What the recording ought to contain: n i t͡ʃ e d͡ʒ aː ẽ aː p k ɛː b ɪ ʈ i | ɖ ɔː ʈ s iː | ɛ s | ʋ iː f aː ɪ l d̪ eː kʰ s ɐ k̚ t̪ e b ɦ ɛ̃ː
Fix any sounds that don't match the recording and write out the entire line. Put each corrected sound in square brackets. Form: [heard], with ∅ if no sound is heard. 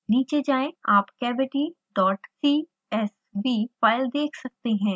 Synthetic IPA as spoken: n [iː] t͡ʃ e d͡ʒ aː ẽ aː p k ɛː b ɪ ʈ i | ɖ ɔː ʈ s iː | ɛ s | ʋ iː f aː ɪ l d̪ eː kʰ s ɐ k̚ t̪ e [∅] ɦ ɛ̃ː